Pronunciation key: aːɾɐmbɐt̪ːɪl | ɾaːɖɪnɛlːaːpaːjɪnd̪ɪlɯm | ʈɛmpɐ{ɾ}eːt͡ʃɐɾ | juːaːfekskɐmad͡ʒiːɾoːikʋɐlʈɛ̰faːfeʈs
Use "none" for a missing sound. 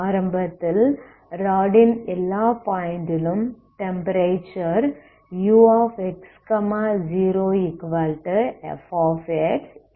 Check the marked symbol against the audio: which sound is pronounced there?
ɾ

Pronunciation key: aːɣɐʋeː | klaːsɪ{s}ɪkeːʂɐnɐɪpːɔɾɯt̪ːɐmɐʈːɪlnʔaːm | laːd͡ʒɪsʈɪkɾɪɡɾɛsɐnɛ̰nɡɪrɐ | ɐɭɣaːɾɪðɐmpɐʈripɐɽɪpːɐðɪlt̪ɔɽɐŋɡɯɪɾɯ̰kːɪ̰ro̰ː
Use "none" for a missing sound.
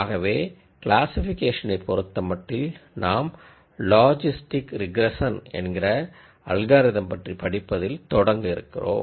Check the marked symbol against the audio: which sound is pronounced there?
f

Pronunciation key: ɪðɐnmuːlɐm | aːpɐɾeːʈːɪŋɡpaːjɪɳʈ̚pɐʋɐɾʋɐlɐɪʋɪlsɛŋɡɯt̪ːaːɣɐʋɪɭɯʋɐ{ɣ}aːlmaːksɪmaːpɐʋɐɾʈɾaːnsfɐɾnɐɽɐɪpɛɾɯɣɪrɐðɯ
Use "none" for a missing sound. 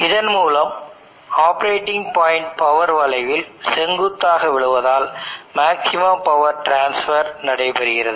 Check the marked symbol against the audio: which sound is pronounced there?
ð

